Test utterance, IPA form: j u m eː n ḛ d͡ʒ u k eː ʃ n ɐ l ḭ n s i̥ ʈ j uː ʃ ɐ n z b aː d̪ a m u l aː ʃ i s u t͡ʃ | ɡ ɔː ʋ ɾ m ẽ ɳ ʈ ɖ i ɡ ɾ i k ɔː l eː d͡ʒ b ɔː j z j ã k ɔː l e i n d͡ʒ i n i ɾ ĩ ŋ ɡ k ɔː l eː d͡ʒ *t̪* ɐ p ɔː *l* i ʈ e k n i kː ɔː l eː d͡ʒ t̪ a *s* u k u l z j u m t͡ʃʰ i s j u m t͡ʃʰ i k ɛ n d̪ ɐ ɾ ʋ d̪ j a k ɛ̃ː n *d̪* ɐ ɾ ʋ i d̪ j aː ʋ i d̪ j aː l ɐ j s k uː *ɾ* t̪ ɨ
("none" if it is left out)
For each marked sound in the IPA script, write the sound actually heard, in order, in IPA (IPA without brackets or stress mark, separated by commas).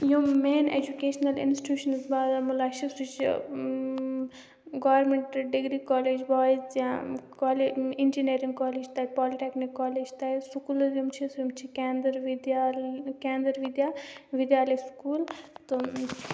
t̪, l, s, d̪, l